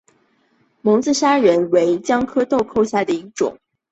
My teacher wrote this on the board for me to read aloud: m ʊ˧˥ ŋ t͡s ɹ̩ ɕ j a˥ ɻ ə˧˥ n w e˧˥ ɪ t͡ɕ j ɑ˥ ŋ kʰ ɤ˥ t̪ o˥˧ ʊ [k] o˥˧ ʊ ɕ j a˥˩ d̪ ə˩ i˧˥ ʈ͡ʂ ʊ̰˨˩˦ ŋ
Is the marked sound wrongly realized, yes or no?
yes